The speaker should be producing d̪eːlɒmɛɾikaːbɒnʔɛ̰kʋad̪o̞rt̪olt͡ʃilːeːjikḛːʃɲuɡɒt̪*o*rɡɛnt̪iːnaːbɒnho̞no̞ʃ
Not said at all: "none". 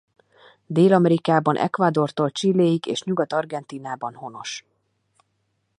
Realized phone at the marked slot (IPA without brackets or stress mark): ɒ